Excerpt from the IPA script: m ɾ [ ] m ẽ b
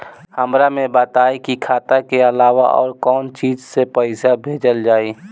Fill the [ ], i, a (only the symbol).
a